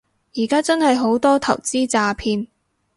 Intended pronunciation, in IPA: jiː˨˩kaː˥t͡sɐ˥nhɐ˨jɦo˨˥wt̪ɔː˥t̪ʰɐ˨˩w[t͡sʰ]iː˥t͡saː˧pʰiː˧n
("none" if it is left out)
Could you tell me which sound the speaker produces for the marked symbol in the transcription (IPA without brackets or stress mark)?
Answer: t͡s